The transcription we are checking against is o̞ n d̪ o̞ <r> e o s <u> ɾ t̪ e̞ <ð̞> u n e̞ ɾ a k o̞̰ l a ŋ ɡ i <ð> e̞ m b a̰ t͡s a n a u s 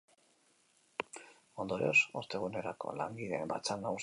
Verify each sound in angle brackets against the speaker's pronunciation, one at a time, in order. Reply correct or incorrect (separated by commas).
incorrect, incorrect, incorrect, correct